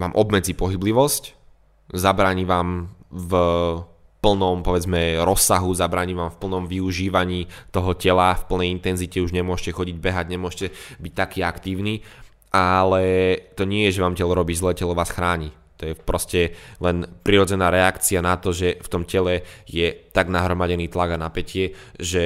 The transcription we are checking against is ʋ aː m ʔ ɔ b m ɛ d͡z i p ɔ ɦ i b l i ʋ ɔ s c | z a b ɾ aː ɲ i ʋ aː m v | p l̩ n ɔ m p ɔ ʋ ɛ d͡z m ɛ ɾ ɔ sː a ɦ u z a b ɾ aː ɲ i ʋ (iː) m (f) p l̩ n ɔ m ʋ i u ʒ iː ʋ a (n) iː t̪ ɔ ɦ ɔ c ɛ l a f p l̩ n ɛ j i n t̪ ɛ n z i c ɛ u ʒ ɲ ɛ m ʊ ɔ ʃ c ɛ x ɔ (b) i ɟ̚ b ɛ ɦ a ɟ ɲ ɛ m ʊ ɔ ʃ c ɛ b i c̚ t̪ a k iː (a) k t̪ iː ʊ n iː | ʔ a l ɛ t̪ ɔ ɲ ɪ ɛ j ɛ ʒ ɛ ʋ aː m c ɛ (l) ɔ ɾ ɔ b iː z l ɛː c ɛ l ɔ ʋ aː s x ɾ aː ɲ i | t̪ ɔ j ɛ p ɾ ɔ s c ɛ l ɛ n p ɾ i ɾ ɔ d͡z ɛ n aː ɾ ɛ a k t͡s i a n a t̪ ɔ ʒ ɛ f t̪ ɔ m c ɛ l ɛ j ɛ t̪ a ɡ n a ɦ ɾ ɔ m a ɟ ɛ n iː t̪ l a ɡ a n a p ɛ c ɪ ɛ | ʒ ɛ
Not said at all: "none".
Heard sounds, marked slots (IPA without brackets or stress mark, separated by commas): aː, f, ɲ, ɟ, a, l